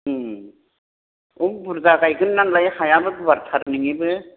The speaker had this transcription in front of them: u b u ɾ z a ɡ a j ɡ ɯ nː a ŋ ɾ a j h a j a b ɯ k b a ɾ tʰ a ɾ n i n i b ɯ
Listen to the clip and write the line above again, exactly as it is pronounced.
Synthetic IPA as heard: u b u ɾ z a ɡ a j ɡ ɯ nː a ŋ l a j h a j a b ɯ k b a ɾ tʰ a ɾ n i ŋ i b ɯ